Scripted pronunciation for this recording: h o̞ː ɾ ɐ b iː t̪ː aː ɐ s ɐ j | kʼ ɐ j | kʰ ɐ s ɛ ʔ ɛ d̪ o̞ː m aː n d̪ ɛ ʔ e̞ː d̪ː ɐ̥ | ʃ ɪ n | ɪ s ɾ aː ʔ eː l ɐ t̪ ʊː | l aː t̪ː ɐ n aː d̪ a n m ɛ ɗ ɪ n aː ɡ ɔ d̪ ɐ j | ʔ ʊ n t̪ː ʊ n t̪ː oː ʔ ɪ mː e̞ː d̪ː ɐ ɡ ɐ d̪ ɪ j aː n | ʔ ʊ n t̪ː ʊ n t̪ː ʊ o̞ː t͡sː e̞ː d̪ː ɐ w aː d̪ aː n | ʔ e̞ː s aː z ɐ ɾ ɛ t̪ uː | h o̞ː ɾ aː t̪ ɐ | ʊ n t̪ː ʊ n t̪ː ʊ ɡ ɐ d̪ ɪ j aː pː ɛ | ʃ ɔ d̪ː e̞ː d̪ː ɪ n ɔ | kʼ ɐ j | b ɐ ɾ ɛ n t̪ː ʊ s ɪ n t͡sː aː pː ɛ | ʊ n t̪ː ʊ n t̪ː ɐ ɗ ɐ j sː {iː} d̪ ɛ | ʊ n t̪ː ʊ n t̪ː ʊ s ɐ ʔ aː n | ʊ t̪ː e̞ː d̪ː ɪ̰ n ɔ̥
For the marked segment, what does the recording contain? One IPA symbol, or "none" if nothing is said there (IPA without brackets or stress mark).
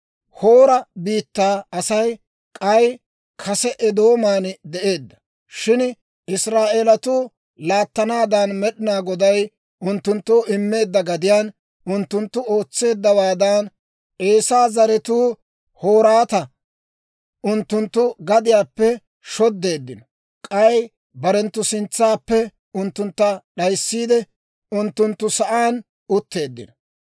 iː